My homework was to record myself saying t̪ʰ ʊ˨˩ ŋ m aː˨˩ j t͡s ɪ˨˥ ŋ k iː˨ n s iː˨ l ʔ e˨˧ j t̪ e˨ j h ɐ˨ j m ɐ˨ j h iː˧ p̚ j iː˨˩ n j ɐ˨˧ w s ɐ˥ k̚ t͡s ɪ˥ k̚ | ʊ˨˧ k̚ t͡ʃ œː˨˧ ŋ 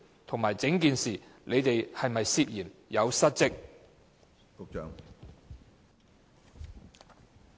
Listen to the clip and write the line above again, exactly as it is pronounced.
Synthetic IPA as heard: t̪ʰ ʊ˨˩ ŋ m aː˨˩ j t͡s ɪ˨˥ ŋ k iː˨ n s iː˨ l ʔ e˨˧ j t̪ e˨ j h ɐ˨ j m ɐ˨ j s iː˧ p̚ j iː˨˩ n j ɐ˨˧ w s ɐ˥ t̚ t͡s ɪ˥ k̚ | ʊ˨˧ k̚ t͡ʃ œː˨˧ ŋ